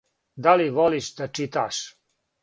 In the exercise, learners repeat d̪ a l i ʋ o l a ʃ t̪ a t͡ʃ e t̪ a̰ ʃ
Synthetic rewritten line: d̪ a l i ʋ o l i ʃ d̪ a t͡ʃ i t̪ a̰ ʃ